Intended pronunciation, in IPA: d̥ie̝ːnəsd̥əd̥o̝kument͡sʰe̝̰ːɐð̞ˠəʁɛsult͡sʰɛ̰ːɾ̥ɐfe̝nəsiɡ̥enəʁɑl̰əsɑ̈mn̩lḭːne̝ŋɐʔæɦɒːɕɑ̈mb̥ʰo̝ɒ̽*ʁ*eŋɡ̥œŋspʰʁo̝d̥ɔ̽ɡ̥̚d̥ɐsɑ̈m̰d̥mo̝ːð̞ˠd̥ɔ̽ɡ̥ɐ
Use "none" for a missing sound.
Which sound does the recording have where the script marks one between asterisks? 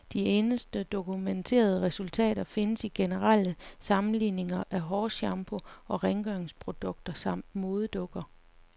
ʁ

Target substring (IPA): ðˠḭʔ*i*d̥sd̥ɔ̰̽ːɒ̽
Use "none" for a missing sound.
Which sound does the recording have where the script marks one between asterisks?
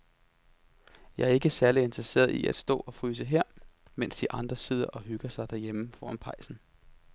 æ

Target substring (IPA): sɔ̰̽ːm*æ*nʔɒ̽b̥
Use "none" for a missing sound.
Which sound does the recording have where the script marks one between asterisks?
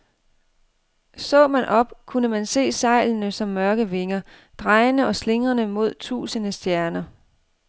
æ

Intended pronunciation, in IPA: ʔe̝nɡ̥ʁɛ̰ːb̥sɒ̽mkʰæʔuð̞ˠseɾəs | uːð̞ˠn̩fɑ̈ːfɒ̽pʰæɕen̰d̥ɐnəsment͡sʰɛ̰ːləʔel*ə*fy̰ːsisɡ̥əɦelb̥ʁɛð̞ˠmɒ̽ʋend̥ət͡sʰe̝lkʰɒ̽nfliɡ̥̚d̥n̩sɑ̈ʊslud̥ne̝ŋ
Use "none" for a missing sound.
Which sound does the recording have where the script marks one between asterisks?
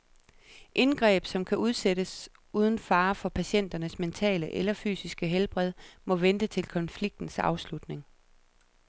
ɐ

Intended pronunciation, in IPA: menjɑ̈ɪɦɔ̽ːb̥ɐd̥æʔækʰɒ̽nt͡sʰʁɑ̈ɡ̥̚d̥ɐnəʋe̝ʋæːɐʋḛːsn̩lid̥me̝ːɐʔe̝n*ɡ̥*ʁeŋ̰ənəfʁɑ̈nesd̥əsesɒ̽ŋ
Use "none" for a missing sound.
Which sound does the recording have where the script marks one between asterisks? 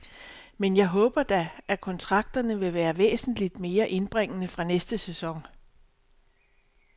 b̥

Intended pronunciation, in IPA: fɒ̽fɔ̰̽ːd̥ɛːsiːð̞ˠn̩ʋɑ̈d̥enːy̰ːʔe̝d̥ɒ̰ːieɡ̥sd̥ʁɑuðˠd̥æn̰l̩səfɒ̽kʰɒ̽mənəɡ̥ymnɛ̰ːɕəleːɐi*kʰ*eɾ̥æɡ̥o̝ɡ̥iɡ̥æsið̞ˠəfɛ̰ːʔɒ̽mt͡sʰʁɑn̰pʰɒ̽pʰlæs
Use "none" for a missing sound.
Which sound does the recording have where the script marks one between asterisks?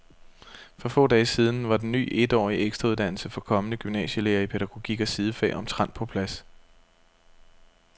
pʰ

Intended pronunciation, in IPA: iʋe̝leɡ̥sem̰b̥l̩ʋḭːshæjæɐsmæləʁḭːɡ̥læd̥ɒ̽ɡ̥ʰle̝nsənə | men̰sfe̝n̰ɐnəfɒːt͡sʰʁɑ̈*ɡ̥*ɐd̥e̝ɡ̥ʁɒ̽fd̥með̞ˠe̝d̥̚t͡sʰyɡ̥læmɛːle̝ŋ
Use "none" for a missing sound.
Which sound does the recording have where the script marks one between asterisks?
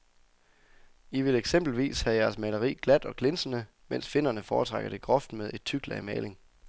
ɡ̥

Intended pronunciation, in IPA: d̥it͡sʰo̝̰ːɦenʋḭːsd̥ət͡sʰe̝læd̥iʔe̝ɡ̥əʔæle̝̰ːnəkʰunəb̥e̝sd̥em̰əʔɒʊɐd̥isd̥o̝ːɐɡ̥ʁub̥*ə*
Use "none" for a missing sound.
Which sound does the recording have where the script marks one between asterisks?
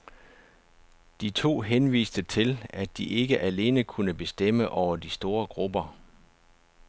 ɐ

